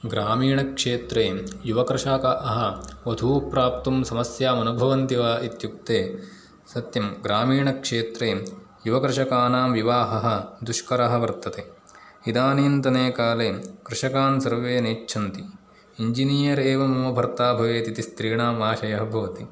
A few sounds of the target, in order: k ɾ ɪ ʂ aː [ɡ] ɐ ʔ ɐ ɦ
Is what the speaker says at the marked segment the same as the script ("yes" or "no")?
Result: no